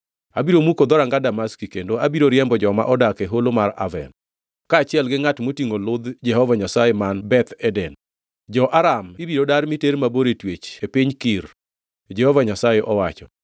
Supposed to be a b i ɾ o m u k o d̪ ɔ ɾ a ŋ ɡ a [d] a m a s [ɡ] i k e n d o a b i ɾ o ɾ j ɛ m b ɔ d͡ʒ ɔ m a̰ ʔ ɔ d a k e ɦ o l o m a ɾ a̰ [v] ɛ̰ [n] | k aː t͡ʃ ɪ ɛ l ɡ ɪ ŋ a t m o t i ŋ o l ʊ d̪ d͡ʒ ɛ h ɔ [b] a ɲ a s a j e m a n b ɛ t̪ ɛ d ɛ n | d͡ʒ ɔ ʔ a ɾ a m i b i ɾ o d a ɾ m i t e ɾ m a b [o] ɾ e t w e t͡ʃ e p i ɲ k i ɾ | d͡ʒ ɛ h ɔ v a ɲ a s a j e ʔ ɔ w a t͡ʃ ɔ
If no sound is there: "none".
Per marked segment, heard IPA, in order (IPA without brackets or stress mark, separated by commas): d, k, v, n, v, o